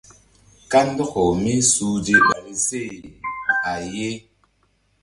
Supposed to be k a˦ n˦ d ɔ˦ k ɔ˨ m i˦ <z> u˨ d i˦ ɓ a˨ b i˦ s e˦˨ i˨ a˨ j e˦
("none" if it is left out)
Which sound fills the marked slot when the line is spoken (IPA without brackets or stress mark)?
s